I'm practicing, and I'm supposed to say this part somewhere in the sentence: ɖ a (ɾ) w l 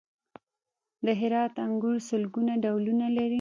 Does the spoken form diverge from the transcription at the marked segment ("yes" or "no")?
yes